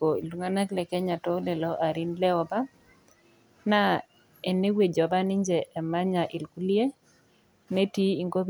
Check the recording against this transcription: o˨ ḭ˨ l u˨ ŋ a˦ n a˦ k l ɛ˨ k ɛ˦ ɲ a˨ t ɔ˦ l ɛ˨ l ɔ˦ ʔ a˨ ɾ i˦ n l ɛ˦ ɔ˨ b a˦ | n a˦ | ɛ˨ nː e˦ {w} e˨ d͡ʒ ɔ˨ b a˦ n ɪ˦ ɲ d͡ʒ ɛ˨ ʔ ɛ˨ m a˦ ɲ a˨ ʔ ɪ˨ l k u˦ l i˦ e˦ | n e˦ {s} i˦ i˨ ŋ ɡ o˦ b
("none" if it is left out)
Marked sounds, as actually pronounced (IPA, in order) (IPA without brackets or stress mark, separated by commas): w, t